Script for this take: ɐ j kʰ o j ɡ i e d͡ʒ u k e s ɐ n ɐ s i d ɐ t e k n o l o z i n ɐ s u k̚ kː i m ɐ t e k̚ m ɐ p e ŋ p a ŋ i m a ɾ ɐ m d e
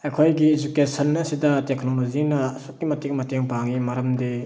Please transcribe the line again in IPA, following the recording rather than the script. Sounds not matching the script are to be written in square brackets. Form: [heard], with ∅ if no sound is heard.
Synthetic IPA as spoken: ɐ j kʰ o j ɡ i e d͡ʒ u k e s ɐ n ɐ s i d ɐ t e k n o l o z i n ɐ s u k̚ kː i m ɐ t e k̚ m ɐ [t] e ŋ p a ŋ i m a ɾ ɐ m d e